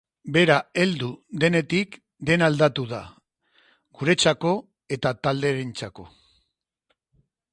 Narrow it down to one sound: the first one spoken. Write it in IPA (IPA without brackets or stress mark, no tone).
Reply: b